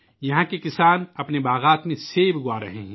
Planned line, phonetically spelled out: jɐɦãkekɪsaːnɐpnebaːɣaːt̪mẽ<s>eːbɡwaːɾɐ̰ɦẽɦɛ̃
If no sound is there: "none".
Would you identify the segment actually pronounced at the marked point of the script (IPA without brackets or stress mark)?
s